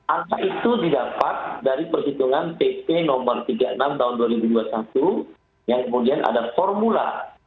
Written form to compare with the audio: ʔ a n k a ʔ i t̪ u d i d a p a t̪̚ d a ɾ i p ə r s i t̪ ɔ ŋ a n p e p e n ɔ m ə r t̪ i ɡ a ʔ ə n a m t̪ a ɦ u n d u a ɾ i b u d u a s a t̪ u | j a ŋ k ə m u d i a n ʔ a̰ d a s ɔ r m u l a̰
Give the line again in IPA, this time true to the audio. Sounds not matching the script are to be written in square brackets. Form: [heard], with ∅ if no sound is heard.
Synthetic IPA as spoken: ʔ a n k a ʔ i t̪ u d i d a p a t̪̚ d a ɾ i p ə r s i t̪ [u] ŋ a n p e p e n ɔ m ə r t̪ i ɡ a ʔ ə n a m t̪ a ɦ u n d u a ɾ i b u d u a s a t̪ u | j a ŋ k ə m u d i a n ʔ a̰ d a [f] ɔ r m u l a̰